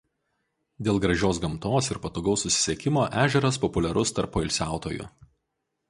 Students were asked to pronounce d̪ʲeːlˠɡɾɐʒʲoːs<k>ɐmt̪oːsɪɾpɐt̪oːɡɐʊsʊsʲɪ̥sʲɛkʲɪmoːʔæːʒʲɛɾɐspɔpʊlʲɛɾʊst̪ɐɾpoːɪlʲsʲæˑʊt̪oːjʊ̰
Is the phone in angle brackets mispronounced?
yes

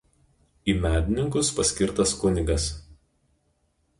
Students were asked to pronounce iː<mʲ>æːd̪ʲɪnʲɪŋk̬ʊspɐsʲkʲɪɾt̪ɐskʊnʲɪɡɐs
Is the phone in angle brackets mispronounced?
no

